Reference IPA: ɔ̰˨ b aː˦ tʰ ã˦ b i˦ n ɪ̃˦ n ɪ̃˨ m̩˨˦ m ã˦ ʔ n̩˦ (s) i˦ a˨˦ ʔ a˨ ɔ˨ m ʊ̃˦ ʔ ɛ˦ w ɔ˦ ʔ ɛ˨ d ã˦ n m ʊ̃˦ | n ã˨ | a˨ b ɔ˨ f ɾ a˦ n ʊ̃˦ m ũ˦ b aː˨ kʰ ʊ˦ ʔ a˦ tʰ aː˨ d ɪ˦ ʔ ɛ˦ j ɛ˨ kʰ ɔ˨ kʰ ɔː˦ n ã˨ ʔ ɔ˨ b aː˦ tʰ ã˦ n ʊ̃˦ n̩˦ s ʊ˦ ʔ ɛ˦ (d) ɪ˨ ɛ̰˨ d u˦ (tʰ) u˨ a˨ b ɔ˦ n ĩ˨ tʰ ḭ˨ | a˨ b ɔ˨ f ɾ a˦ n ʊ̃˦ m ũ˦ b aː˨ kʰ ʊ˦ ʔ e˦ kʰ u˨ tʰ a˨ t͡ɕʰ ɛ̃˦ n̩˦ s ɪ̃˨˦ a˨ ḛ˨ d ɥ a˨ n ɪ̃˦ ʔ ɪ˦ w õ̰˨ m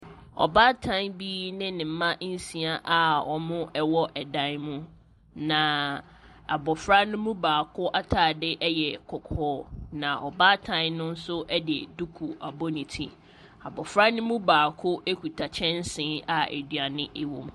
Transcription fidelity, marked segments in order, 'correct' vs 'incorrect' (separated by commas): correct, correct, incorrect